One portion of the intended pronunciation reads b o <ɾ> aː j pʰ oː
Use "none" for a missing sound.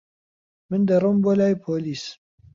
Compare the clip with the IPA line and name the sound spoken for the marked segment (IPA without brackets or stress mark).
l